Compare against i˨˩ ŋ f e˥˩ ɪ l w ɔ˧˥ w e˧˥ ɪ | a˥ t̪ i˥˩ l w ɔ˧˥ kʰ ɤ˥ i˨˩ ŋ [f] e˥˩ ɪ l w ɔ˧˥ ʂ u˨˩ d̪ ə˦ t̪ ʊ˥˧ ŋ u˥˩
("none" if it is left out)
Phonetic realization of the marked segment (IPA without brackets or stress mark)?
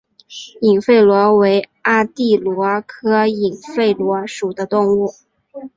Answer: f